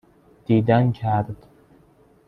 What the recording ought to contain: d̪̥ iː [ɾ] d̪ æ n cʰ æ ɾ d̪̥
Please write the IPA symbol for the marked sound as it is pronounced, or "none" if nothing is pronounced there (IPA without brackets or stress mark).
none